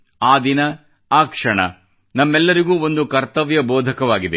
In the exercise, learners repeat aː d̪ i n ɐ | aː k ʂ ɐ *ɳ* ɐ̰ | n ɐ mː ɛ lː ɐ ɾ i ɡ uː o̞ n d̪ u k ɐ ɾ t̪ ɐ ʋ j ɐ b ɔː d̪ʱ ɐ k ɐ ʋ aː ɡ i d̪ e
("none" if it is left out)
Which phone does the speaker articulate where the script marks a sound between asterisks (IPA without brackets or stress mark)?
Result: ɳ